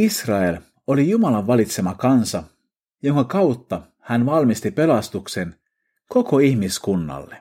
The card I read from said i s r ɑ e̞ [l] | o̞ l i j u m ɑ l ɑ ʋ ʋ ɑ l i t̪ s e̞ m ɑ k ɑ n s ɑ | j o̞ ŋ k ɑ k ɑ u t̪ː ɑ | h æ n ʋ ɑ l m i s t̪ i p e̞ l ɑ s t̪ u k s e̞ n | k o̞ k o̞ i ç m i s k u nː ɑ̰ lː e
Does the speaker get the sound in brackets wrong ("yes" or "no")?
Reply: no